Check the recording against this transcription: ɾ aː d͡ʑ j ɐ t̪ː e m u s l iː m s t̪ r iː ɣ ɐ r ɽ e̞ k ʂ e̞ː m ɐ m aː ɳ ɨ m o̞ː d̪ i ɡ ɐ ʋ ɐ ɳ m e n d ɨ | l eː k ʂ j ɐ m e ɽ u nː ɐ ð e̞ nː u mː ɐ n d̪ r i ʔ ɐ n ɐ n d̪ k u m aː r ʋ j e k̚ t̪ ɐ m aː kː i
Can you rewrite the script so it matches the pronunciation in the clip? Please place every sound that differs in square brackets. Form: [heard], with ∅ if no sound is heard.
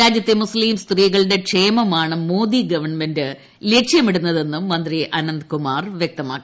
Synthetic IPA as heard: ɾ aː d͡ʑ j ɐ t̪ː e m u s l iː m s t̪ r iː ɣ ɐ [ɭ] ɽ e̞ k ʂ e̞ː m ɐ m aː ɳ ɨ m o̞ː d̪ i ɡ ɐ ʋ ɐ ɳ m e n d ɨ | l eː k ʂ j ɐ m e ɽ u nː ɐ ð e̞ nː u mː ɐ n d̪ r i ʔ ɐ n ɐ n d̪ k u m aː r ʋ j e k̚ t̪ ɐ m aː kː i